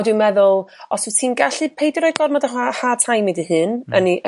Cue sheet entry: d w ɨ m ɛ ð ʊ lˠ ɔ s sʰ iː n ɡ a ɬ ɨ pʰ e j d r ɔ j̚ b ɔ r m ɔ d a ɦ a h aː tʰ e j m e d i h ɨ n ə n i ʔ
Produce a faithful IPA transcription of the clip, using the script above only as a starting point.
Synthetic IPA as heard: d w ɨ m ɛ ð ʊ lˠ ɔ s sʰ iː n ɡ a ɬ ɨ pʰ e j d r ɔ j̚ ɡ ɔ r m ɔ d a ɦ a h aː tʰ a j m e d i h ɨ n ə n i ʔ